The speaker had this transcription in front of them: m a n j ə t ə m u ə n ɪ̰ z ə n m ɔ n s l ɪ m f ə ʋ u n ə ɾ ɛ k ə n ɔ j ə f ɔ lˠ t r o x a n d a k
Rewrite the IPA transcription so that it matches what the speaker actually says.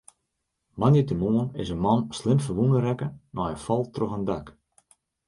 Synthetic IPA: m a n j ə t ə m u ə n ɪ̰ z ə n m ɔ n s l ɪ m f ə ʋ u n ə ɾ ɛ k ə n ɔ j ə f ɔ lˠ t r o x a n d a k